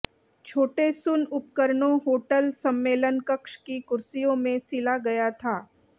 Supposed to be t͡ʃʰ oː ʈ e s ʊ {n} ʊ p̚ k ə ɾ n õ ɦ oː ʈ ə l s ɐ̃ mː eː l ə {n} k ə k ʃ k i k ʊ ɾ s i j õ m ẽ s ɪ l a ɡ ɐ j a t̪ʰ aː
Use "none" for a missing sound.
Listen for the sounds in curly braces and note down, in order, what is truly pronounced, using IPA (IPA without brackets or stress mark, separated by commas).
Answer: n, n